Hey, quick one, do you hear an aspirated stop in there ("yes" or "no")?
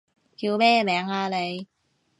no